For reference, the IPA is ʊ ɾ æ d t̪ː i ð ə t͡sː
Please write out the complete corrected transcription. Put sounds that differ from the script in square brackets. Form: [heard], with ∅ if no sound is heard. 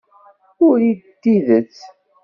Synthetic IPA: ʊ ɾ [i] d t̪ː i ð ə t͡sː